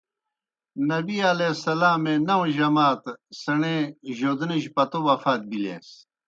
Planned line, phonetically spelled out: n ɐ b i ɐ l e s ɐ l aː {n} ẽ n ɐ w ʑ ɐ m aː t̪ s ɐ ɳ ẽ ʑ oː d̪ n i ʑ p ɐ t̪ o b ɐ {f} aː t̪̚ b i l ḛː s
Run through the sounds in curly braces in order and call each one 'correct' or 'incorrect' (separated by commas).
incorrect, correct